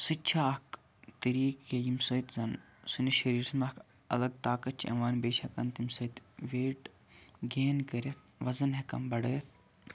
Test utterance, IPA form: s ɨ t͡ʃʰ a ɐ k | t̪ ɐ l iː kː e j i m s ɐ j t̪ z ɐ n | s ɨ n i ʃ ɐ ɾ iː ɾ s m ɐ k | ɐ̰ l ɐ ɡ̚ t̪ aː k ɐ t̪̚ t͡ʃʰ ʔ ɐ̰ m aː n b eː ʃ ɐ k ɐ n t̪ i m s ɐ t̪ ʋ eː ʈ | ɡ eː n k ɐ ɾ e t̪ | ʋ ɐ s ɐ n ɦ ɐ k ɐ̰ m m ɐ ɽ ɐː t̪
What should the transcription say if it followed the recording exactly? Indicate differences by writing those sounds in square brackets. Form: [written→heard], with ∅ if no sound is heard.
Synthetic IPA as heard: s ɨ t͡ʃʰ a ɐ k | t̪ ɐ [l→ɾ] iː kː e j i m s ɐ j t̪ z ɐ n | s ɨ n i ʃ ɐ ɾ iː ɾ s m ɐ k | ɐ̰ l ɐ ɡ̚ t̪ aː k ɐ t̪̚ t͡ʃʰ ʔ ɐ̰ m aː n b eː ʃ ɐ k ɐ n t̪ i m s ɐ t̪ ʋ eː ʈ | ɡ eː n k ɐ ɾ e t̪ | ʋ ɐ [s→z] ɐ n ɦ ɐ k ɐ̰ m [m→b] ɐ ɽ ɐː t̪